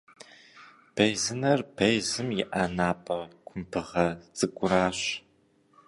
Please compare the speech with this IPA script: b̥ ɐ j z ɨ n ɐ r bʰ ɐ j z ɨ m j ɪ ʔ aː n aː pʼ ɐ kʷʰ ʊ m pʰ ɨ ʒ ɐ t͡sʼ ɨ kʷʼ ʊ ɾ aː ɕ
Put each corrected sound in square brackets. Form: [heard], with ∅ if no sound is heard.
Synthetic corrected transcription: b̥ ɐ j z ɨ n ɐ r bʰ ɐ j z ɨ m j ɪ ʔ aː n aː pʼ ɐ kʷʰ ʊ m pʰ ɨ [ʁ] ɐ t͡sʼ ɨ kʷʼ ʊ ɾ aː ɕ